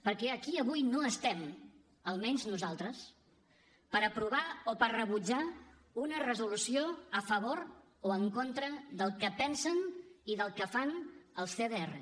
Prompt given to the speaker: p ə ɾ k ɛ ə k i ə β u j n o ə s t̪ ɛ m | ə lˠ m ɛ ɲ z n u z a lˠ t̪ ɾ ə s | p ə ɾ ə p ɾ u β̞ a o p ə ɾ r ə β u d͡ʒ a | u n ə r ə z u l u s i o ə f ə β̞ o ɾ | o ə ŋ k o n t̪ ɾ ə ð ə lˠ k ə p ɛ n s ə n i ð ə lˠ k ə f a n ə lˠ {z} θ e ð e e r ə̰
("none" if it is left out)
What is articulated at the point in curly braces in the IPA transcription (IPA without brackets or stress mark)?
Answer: s